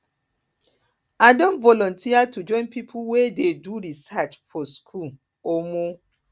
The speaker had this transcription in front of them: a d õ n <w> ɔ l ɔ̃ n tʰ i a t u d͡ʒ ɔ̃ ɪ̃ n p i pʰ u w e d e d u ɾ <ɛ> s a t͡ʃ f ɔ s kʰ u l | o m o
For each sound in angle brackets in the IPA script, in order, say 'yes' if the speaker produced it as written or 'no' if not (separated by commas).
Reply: no, no